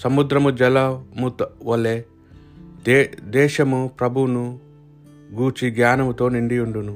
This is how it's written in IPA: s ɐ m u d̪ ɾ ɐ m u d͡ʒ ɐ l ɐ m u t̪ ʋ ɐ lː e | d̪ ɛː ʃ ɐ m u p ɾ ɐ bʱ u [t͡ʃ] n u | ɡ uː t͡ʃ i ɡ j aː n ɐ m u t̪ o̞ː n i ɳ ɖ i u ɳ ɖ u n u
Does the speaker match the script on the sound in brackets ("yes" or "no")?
no